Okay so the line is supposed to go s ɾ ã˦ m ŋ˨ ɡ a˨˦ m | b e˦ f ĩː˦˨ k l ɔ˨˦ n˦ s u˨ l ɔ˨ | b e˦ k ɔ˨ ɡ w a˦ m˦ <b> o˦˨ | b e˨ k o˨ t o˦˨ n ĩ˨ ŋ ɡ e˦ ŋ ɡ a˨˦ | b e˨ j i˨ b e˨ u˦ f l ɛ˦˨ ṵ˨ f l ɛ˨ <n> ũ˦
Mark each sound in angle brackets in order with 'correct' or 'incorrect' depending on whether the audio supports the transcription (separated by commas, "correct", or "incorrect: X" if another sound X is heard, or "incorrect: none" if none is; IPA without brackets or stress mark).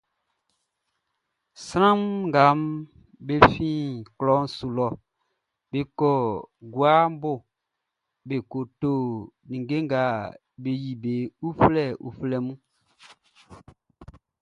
correct, incorrect: m